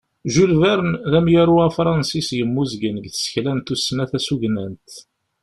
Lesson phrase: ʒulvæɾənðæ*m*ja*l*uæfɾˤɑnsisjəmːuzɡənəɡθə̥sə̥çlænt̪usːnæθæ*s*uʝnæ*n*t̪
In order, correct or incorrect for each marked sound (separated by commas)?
correct, incorrect, correct, correct